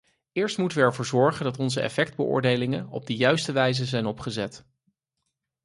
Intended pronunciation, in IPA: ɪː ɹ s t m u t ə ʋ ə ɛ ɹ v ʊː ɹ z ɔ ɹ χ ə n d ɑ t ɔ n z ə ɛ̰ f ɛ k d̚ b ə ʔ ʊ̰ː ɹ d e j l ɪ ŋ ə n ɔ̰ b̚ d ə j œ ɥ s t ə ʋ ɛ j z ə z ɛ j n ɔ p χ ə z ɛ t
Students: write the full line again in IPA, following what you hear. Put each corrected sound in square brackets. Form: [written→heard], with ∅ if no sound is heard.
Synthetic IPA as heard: ɪː ɹ s t m u t ə ʋ ə ɛ ɹ v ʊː ɹ z ɔ ɹ χ ə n d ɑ t ɔ n z ə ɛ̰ f ɛ k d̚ b ə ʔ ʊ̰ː ɹ d e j l ɪ ŋ ə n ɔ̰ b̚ d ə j œ ɥ s t ə ʋ ɛ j z ə z ɛ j n ɔ p χ ə z ɛ t